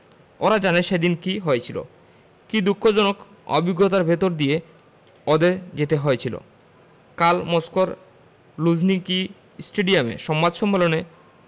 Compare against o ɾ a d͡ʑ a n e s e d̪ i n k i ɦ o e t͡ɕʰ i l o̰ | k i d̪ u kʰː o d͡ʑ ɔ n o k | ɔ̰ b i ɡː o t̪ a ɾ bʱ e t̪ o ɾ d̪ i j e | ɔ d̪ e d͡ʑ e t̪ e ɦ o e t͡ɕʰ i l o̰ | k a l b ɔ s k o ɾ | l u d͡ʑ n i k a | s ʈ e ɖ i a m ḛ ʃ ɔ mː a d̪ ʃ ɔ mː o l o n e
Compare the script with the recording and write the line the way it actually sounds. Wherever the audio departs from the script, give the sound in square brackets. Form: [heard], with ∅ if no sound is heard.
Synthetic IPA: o ɾ a d͡ʑ a n e [ʃ] e d̪ i n k i ɦ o e t͡ɕʰ i l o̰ | k i d̪ u kʰː o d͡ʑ ɔ n o k | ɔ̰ b i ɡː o t̪ a ɾ bʱ e t̪ o ɾ d̪ i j e | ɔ d̪ e d͡ʑ e t̪ e ɦ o e t͡ɕʰ i l o̰ | k a l [m] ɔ s k o ɾ | l u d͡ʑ n i k [i] | s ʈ e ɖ i a m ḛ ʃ ɔ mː a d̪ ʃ ɔ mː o l o n e